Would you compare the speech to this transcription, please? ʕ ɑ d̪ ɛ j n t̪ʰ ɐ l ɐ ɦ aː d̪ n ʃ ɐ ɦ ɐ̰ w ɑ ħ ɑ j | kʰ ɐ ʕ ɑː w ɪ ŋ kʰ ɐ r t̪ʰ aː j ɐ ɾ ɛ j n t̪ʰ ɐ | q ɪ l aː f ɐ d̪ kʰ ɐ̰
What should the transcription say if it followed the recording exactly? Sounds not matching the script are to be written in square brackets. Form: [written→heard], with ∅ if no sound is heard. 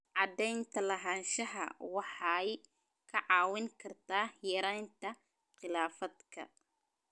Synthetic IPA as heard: ʕ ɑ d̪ ɛ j n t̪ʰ ɐ l ɐ ɦ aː [d̪→∅] n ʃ ɐ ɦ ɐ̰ w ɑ ħ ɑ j | kʰ ɐ ʕ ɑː w ɪ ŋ kʰ ɐ r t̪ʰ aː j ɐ ɾ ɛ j n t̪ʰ ɐ | q ɪ l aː f ɐ d̪ kʰ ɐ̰